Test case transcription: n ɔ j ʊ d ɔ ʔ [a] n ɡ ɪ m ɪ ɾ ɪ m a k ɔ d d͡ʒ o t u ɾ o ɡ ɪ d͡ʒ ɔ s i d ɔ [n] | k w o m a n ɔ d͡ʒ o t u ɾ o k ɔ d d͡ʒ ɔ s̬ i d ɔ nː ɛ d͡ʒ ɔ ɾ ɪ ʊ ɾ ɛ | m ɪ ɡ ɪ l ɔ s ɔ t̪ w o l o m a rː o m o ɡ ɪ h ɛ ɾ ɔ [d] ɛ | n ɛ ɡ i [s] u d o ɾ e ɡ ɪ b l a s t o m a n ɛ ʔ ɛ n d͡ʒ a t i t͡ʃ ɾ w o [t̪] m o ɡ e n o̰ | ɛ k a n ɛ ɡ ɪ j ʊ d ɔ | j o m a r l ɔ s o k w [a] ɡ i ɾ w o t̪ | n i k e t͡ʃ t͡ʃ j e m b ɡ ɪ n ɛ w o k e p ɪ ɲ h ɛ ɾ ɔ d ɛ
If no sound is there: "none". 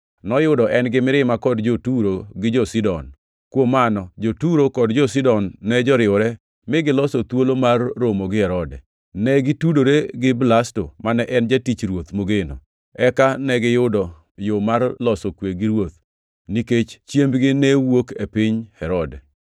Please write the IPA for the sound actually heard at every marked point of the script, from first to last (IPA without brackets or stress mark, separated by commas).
ɛ, n, d, t, t̪, e